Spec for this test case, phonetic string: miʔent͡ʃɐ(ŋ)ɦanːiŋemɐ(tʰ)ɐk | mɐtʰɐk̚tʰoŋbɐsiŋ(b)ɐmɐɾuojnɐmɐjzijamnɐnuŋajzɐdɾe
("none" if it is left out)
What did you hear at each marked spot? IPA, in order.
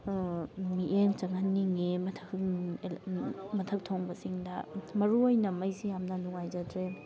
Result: ŋ, tʰ, d

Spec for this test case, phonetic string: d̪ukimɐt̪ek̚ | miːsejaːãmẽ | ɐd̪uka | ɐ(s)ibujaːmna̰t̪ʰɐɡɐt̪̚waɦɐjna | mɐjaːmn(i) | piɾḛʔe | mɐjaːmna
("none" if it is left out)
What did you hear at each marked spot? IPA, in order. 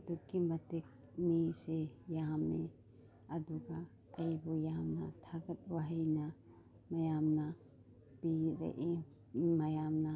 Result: none, a

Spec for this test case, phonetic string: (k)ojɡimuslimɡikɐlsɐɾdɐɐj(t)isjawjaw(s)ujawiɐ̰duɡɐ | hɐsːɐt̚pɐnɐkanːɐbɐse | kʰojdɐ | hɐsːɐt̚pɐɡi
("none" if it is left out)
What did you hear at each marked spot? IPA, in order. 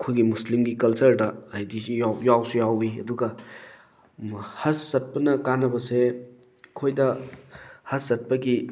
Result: kʰ, d, s

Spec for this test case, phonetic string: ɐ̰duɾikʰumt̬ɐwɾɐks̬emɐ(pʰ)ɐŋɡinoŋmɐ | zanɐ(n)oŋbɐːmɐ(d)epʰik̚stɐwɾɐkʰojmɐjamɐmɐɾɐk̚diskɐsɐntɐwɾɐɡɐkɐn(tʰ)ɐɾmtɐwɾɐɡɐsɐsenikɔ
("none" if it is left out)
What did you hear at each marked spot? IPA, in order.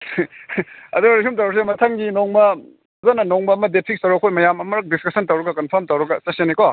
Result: tʰ, n, d, pʰ

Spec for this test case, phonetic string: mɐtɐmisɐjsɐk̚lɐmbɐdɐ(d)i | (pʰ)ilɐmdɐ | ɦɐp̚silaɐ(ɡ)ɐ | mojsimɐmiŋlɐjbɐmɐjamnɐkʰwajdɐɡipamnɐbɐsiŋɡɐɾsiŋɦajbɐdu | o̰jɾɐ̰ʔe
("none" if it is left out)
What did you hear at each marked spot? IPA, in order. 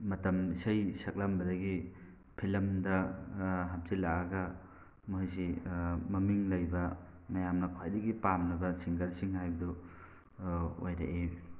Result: ɡ, pʰ, ɡ

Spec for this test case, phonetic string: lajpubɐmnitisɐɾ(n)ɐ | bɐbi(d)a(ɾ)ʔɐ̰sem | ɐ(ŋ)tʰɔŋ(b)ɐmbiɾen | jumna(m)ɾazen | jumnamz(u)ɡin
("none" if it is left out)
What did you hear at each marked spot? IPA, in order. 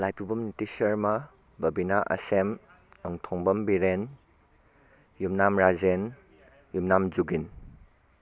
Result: m, n, none, ŋ, b, m, u

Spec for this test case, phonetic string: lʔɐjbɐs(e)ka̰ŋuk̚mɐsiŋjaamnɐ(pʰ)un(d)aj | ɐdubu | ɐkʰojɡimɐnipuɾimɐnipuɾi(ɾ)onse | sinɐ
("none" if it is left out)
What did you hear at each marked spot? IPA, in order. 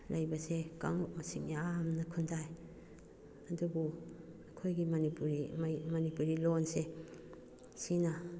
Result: e, kʰ, d, l

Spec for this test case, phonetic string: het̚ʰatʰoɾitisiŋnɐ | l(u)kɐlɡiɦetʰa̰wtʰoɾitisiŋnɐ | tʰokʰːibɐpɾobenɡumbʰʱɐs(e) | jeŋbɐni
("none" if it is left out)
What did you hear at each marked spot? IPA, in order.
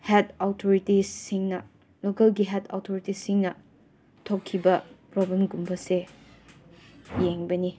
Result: o, e

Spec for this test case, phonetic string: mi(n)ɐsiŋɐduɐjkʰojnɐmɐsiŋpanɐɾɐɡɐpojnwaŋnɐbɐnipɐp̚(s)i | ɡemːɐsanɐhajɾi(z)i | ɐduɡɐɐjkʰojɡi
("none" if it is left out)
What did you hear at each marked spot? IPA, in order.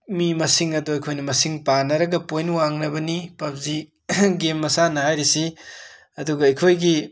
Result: m, z, s

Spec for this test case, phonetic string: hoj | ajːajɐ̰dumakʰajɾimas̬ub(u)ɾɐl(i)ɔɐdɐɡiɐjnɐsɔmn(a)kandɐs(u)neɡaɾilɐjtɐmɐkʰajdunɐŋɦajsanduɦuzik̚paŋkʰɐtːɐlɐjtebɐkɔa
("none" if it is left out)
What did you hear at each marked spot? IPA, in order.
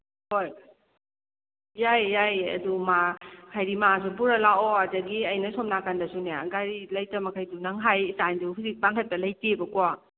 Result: u, a, a, u

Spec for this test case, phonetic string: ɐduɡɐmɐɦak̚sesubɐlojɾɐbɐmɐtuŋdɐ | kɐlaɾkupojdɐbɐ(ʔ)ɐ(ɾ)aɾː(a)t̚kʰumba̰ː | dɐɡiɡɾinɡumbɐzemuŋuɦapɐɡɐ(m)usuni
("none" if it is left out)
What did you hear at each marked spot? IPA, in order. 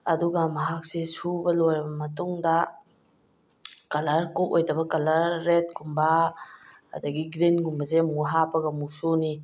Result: k, l, e, m

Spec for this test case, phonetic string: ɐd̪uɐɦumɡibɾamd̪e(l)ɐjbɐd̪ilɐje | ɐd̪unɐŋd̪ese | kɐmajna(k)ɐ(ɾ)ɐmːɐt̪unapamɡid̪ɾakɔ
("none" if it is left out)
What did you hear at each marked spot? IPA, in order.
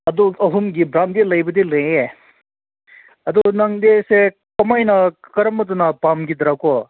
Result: l, k, ɾ

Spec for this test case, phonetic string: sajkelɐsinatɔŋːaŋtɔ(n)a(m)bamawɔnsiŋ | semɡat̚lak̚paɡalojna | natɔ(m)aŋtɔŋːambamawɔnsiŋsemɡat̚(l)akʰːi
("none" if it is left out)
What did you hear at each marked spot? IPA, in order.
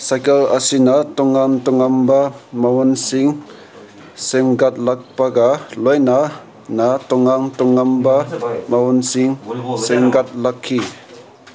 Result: ŋ, m, ŋ, l

